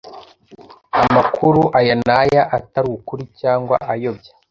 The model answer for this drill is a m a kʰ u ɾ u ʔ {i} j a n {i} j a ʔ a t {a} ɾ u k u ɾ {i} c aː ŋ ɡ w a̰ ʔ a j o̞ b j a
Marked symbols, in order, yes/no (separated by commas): no, no, yes, yes